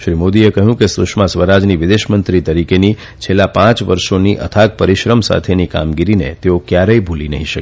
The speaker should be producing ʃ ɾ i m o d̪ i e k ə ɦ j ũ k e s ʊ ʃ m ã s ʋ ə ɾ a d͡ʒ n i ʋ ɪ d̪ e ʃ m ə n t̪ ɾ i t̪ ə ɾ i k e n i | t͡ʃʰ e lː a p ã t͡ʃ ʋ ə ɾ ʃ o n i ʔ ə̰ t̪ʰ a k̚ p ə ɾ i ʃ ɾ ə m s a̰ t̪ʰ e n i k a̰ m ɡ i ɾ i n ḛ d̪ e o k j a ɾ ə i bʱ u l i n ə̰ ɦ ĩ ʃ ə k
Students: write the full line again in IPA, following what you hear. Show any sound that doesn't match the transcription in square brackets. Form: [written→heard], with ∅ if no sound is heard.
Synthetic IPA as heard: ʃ ɾ i m o d̪ i e k ə ɦ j ũ k e s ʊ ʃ m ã s ʋ ə ɾ a d͡ʒ n i ʋ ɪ d̪ e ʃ m ə n t̪ ɾ i t̪ ə ɾ i k e n i | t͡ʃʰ e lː a p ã t͡ʃ ʋ ə ɾ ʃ o n i ʔ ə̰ t̪ʰ a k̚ p ə ɾ i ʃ ɾ ə m s a̰ t̪ʰ e n i k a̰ m ɡ i ɾ i n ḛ [d̪→t̪] e o k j a ɾ ə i bʱ u l i n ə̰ ɦ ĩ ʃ ə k